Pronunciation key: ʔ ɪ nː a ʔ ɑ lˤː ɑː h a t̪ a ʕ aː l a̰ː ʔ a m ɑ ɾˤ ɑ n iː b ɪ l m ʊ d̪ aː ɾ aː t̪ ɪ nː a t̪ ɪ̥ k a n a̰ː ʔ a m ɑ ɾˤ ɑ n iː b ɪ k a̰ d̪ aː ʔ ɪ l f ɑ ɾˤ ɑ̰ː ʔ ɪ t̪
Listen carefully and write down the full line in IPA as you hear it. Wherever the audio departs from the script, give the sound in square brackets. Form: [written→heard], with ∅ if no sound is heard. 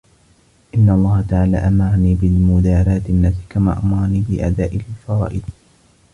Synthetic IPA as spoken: ʔ ɪ nː a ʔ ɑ lˤː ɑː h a t̪ a ʕ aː l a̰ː ʔ a m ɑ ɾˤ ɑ n iː b ɪ l m ʊ d̪ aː ɾ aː t̪ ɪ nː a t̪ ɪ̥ k a [n→m] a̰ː ʔ a m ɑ ɾˤ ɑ n iː b ɪ [k→ʔ] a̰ d̪ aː ʔ ɪ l f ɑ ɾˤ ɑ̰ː ʔ ɪ [t̪→d̪]